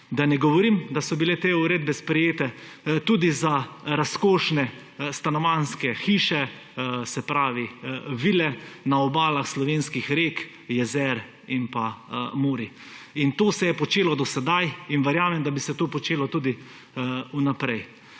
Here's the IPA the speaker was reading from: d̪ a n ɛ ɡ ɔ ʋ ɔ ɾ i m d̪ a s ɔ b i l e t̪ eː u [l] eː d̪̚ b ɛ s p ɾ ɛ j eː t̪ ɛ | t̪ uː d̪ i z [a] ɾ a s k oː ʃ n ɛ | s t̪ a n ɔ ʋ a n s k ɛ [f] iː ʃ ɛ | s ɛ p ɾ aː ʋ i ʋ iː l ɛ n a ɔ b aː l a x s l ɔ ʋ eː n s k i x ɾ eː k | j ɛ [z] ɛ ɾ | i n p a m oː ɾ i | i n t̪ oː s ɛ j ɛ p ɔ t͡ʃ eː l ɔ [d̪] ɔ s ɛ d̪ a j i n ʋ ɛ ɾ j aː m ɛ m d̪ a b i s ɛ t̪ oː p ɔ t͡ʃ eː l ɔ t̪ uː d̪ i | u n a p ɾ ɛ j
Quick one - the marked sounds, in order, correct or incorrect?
incorrect, correct, incorrect, correct, correct

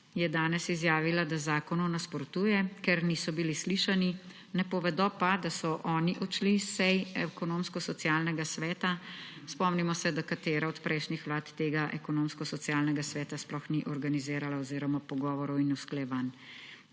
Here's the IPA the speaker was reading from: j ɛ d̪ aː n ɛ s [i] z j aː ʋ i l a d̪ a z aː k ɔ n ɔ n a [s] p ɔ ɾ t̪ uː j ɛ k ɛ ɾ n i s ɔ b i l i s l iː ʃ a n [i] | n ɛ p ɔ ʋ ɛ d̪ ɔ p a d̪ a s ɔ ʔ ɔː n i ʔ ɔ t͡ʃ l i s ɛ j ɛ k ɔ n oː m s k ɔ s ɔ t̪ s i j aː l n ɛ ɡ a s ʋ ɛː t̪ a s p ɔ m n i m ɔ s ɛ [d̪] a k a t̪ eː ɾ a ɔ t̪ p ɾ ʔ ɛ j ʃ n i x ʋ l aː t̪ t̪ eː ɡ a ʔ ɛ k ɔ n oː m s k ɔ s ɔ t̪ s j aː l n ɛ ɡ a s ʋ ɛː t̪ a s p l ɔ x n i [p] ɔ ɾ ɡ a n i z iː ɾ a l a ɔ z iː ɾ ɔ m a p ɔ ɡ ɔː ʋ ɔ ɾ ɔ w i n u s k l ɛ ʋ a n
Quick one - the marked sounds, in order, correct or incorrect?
correct, correct, correct, correct, incorrect

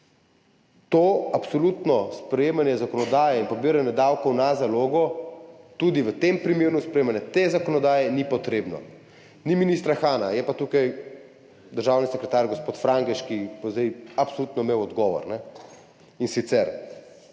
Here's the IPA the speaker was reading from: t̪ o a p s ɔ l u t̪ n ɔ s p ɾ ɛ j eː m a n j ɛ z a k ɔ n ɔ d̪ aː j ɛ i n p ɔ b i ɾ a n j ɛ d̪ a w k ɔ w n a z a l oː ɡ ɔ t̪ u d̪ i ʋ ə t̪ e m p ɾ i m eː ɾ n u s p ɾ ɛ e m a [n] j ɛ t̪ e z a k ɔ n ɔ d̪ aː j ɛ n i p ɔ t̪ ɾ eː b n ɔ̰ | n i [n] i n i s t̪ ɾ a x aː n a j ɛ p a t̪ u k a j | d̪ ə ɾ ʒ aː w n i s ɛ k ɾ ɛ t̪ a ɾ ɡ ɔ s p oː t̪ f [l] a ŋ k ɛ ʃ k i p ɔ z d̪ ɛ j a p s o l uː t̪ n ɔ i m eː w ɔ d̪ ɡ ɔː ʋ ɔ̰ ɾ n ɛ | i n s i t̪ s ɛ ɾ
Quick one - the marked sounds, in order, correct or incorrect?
correct, incorrect, incorrect

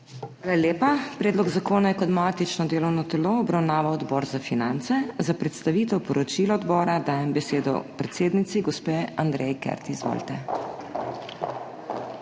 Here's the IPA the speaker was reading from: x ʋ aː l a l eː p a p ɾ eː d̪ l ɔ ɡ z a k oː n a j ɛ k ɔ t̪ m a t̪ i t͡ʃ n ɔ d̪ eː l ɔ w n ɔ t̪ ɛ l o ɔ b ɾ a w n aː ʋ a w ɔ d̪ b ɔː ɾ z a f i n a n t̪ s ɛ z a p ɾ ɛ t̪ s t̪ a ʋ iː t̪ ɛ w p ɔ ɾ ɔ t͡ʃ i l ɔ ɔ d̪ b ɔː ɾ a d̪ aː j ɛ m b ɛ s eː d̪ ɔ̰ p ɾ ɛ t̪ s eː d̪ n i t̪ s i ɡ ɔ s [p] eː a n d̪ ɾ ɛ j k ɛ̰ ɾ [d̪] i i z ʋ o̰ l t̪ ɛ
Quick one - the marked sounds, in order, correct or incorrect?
correct, incorrect

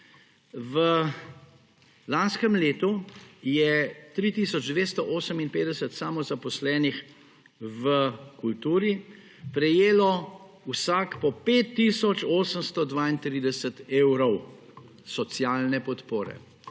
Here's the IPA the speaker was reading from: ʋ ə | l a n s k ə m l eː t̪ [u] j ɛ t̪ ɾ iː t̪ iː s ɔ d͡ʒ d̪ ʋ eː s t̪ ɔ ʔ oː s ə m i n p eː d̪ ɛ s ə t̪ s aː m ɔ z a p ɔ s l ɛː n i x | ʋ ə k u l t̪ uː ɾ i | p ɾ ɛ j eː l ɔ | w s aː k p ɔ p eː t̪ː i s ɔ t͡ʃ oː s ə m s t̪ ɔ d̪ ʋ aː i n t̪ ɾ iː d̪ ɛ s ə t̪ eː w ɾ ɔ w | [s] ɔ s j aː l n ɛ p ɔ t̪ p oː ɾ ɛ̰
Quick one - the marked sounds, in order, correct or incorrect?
correct, correct

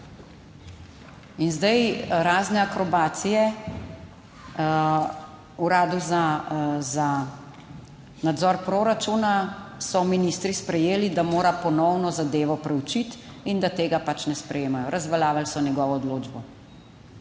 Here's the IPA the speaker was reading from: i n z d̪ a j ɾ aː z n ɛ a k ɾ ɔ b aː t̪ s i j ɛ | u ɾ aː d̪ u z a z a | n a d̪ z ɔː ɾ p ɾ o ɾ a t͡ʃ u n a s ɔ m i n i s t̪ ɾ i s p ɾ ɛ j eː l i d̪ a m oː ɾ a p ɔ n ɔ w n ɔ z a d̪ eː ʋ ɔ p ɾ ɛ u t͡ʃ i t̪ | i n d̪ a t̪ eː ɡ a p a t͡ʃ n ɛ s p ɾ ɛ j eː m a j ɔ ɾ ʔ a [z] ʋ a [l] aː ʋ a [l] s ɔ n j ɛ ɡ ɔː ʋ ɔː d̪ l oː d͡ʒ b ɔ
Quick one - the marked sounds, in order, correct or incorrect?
correct, correct, correct

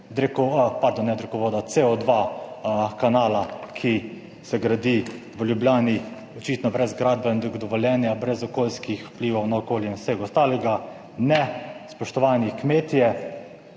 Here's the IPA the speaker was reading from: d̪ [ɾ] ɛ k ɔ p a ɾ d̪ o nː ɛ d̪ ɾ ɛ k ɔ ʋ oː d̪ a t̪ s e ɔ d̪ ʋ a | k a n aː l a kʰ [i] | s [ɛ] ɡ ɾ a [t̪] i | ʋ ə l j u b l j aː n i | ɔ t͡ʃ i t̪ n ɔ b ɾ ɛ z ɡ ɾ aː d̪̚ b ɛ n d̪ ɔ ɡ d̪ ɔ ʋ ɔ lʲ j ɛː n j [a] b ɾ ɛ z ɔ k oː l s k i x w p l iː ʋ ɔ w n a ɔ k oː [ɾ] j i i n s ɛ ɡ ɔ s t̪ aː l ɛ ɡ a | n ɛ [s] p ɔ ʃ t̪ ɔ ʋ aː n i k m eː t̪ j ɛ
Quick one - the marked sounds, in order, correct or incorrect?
correct, correct, correct, incorrect, correct, incorrect, correct

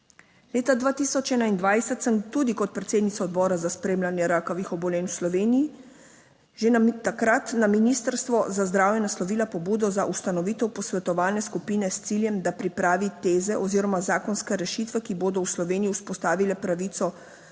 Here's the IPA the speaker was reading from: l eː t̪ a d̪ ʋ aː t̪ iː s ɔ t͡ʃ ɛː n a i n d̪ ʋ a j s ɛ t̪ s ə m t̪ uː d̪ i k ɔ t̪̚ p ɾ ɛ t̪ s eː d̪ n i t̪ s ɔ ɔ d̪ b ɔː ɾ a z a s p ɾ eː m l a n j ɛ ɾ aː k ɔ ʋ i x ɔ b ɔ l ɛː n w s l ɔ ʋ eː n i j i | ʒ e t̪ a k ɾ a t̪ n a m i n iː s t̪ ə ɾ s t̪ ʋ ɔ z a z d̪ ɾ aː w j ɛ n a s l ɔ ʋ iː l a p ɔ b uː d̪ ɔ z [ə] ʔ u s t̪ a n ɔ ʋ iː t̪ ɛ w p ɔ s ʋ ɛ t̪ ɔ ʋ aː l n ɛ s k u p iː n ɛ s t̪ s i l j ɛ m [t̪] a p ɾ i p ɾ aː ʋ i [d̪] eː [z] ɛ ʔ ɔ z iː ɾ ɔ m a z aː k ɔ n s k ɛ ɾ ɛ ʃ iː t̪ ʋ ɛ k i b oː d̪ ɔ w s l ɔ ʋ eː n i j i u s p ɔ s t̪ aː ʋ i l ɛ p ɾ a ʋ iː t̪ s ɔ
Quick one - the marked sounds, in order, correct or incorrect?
incorrect, incorrect, incorrect, correct

